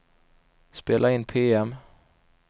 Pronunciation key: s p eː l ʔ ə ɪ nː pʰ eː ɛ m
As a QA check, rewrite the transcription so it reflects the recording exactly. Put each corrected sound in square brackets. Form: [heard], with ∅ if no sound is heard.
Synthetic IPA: s p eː l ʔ [a] ɪ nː pʰ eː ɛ m